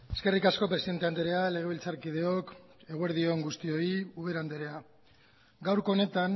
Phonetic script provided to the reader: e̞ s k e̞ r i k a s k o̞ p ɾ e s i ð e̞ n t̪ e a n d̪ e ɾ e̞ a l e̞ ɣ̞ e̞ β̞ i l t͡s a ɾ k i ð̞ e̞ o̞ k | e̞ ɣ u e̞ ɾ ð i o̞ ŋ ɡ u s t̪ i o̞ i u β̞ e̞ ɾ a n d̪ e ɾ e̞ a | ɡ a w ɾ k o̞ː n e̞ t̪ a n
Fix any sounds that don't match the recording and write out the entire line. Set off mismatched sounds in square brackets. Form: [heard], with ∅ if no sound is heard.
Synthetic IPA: e̞ s k e̞ r i k a s k o̞ p ɾ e s i ð e̞ n t̪ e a n d̪ e ɾ e̞ a l e̞ ɣ̞ e̞ β̞ i l t͡s a ɾ k i ð̞ e̞ o̞ k | e̞ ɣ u e̞ ɾ ð i o̞ ŋ ɡ u s t̪ i o̞ i u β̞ e̞ ɾ a n d̪ e ɾ e̞ a | ɡ a w ɾ k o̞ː n e̞ t̪ a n